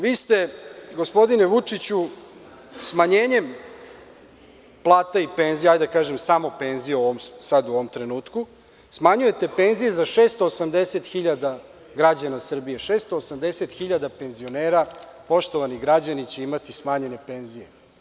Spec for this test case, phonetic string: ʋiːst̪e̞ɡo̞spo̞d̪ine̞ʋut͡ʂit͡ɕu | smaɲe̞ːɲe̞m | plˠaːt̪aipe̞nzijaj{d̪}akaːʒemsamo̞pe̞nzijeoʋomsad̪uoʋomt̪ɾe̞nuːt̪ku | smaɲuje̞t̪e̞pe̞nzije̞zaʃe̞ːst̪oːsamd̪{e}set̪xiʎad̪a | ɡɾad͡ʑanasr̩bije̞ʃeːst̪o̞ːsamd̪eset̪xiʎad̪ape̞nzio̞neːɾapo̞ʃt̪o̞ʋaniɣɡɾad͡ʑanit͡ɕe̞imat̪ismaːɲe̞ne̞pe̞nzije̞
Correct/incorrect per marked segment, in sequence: correct, correct

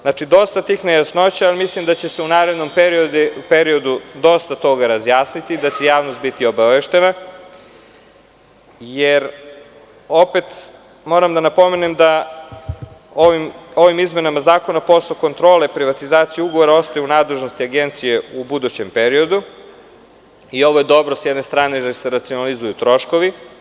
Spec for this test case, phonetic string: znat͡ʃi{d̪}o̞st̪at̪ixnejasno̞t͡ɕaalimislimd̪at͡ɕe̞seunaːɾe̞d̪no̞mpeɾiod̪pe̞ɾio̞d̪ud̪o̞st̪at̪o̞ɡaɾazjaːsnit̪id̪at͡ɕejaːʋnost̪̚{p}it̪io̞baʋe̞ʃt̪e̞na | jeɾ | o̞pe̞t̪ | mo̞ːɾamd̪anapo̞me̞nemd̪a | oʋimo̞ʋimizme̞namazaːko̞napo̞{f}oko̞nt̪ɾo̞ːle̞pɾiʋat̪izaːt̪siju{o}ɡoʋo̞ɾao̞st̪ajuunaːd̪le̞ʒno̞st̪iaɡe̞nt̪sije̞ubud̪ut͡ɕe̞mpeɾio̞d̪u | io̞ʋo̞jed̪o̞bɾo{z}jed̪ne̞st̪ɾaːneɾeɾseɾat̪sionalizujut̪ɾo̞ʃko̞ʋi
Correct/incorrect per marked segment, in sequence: correct, incorrect: b, incorrect: s, incorrect: u, incorrect: s

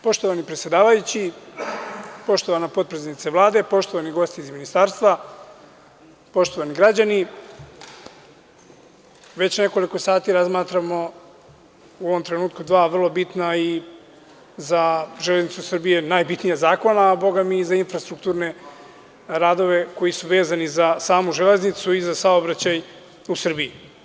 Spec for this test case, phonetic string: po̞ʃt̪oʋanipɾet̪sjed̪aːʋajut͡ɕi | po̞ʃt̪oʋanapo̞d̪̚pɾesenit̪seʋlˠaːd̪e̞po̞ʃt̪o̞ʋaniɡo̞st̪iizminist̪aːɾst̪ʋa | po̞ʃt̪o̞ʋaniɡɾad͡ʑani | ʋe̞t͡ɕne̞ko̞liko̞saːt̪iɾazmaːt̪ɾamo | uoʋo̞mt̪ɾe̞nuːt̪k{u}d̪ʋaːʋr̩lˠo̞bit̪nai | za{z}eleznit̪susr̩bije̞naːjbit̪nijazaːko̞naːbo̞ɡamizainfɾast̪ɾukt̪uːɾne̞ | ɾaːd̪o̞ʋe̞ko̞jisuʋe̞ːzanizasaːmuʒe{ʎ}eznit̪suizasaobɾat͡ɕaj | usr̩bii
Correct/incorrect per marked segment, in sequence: correct, incorrect: ʒ, incorrect: l

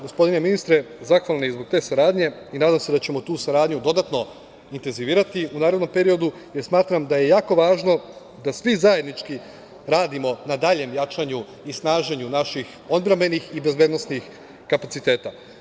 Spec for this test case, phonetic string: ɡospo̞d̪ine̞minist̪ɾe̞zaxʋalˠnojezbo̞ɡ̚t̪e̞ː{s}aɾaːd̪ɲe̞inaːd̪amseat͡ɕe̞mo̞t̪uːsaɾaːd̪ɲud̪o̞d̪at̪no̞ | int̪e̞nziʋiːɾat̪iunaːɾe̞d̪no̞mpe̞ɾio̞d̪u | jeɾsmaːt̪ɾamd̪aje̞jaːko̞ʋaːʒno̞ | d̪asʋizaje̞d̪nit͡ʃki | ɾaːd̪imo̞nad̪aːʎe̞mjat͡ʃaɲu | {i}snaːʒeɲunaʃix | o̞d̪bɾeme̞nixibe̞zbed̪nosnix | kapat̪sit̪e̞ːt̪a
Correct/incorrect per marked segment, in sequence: correct, correct

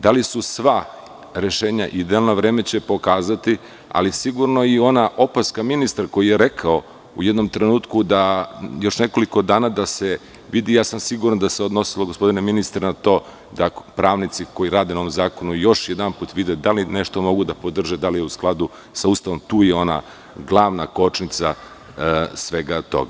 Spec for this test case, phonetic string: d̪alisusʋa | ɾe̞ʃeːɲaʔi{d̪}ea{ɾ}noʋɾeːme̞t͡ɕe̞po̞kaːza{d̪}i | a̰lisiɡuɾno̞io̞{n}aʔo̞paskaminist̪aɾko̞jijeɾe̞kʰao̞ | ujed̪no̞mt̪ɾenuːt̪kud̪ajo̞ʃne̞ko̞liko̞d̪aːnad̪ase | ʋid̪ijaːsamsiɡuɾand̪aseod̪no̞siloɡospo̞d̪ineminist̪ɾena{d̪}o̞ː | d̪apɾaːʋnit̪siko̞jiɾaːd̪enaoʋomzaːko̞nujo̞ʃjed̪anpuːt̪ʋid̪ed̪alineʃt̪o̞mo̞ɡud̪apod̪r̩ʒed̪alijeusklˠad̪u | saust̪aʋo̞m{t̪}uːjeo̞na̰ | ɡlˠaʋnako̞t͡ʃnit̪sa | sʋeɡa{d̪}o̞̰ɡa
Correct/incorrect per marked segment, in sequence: correct, incorrect: l, incorrect: t̪, correct, incorrect: t̪, correct, incorrect: t̪

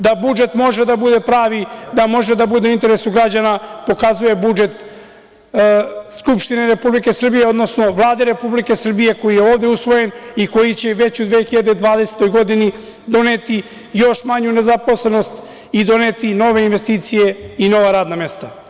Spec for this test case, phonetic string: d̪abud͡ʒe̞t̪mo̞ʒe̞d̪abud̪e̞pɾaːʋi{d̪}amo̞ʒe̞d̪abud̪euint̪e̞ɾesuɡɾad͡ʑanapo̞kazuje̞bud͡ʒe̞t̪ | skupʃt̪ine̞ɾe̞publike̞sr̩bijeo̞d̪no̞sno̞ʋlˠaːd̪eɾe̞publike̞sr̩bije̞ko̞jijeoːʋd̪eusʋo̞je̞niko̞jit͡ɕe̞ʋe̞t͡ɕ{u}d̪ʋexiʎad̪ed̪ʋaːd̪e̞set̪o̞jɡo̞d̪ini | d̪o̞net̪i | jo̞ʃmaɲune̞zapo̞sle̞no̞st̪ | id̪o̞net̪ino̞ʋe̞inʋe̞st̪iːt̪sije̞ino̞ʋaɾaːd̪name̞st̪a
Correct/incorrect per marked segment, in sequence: correct, correct

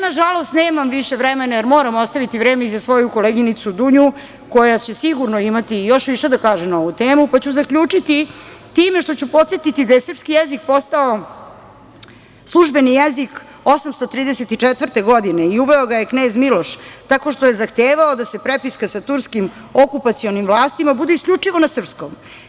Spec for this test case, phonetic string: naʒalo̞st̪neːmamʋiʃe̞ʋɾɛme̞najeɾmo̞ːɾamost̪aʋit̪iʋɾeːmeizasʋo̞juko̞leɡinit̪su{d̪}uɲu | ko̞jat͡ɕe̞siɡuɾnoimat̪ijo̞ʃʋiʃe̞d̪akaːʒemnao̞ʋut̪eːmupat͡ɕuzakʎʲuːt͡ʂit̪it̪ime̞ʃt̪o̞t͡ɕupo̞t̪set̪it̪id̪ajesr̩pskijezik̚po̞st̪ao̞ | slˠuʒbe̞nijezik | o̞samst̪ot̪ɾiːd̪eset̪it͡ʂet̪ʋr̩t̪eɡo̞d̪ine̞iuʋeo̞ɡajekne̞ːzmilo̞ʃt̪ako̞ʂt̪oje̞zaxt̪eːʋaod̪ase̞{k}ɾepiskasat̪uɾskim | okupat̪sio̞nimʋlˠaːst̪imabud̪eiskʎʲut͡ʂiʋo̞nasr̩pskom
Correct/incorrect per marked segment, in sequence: correct, incorrect: p

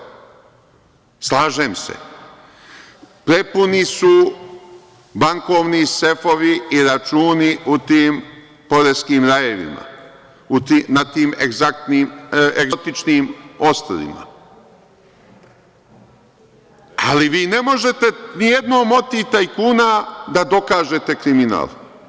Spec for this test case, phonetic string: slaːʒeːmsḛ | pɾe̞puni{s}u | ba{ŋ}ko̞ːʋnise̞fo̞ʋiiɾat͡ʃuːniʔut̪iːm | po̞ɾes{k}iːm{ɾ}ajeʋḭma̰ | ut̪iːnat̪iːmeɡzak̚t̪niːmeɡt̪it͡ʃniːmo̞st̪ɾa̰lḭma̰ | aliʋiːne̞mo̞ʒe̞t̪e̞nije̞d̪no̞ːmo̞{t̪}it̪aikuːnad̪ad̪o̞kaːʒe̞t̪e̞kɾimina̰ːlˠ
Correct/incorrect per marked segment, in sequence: correct, correct, correct, correct, correct

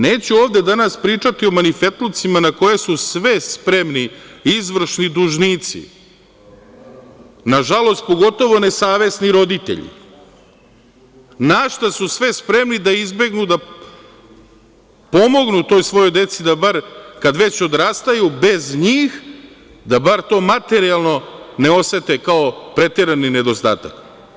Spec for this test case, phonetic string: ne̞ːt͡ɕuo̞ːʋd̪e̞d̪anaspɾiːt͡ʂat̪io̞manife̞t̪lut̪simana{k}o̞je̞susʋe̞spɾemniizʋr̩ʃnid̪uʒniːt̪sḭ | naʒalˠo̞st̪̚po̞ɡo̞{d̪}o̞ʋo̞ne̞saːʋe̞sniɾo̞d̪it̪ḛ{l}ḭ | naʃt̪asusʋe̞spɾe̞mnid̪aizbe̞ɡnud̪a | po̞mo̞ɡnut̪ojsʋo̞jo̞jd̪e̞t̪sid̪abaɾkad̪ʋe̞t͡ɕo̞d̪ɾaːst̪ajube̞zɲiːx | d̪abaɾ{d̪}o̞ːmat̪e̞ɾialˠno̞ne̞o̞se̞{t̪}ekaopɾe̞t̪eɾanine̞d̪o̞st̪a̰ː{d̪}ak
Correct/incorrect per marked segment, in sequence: correct, incorrect: t̪, incorrect: ʎ, incorrect: t̪, correct, incorrect: t̪

